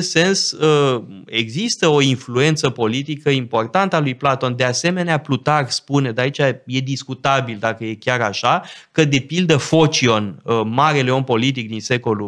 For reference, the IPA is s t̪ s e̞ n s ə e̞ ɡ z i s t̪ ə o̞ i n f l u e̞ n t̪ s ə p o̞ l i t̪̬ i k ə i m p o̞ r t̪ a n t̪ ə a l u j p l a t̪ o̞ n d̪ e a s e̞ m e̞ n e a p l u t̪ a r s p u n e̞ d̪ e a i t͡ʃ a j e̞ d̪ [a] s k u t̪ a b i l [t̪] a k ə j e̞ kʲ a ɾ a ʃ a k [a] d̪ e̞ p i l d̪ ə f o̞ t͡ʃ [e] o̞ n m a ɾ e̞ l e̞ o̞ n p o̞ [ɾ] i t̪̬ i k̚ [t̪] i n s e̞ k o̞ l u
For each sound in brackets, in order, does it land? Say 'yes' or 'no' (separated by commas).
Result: no, no, no, no, no, no